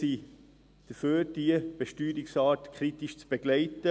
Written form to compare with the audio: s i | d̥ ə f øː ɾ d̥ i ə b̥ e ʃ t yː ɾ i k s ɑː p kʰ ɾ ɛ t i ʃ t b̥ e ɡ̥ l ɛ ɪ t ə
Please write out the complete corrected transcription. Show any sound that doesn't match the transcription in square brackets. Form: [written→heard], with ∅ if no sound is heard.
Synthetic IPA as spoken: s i | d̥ ə f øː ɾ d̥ i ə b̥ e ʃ t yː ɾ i k s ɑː [p→t] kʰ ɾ [ɛ→i] t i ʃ [t→t͡s] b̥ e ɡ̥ l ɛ ɪ t ə